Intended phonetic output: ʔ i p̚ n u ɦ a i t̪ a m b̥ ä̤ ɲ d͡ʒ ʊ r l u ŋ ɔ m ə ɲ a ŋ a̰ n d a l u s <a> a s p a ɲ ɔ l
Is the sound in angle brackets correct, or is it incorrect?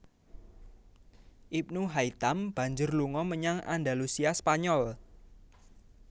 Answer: incorrect